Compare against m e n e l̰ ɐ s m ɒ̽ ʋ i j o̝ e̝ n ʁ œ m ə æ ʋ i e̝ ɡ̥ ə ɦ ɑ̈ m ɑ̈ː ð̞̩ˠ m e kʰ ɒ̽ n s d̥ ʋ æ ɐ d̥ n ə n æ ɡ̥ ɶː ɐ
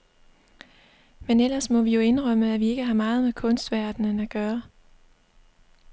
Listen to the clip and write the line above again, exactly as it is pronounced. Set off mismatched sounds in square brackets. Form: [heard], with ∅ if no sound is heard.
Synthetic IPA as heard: m e n e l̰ ɐ s m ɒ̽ ʋ i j o̝ e̝ n ʁ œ m ə æ ʋ i e̝ ɡ̥ ə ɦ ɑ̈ m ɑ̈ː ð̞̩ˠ m e kʰ [ɔ̽] n s d̥ ʋ æ ɐ d̥ n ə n æ ɡ̥ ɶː ɐ